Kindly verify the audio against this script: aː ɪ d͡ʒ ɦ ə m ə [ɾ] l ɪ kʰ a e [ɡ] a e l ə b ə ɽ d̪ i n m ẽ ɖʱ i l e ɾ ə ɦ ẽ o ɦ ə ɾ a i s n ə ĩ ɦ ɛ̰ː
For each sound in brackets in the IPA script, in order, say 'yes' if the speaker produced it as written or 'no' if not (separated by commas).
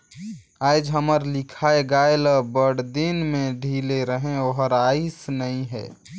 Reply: yes, yes